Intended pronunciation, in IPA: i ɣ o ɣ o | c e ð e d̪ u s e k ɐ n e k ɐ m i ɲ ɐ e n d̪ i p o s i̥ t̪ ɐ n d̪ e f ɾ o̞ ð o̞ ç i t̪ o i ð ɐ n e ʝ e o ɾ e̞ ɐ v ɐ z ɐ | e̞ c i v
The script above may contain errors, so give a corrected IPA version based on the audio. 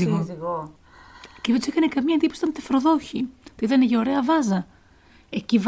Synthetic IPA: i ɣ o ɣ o | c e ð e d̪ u s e k ɐ n e k ɐ m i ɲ ɐ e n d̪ i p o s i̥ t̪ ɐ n t̪ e f ɾ o̞ ð o̞ ç i t̪ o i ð ɐ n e ʝ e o ɾ e̞ ɐ v ɐ z ɐ | e̞ c i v